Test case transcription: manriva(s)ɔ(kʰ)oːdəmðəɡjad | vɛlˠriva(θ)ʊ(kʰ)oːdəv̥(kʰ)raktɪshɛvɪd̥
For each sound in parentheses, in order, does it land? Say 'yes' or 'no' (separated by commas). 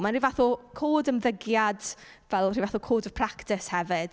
no, yes, yes, yes, no